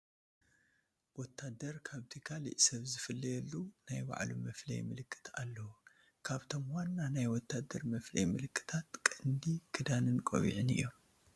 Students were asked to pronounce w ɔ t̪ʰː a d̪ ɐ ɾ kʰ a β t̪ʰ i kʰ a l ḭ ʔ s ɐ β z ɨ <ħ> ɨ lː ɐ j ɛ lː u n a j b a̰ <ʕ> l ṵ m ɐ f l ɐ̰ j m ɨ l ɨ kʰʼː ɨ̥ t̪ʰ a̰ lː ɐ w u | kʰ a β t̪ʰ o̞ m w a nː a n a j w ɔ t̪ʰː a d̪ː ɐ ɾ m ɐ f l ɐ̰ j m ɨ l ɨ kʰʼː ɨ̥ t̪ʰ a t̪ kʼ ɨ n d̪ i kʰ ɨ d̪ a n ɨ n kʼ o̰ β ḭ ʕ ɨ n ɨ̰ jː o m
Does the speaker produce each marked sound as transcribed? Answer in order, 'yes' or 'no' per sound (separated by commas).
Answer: no, yes